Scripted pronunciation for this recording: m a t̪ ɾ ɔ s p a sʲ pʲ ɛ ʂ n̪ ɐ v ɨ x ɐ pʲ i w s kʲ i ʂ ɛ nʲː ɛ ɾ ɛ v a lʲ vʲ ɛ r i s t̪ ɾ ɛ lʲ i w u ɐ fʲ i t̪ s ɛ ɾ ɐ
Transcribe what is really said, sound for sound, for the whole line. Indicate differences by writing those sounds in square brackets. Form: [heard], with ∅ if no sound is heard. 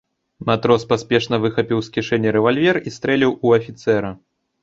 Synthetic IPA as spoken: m a t̪ ɾ ɔ s p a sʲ pʲ ɛ ʂ n̪ ɐ v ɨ x ɐ pʲ i w s kʲ i ʂ ɛ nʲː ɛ ɾ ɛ v a lʲ vʲ ɛ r i s t̪ ɾ ɛ lʲ i w u ɐ fʲ i t̪ s ɛ ɾ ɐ